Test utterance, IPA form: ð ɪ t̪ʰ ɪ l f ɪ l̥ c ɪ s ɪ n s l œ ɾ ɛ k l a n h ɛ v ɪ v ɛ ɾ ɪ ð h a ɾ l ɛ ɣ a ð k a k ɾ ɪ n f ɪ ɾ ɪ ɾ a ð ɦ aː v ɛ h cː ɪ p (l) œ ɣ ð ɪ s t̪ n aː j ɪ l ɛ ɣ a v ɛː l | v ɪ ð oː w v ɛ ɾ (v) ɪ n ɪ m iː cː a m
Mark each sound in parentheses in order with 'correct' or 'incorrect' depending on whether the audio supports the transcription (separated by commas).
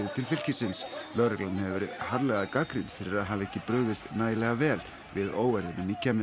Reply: incorrect, incorrect